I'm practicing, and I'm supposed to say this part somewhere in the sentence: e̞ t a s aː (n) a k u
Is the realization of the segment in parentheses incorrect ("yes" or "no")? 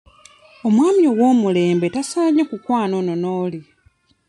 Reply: yes